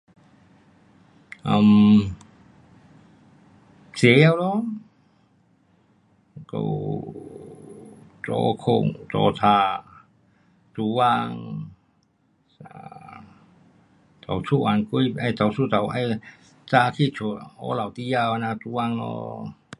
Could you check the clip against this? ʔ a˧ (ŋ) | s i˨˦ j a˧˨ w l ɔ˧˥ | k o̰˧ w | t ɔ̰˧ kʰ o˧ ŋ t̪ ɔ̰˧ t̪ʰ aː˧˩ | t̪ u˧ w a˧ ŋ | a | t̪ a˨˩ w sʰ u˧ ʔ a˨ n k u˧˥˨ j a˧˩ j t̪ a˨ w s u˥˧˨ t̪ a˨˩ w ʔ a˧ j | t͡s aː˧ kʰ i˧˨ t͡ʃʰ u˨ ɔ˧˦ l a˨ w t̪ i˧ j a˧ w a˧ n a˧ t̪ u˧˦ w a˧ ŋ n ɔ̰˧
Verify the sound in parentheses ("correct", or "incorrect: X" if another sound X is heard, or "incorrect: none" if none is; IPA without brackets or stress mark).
incorrect: m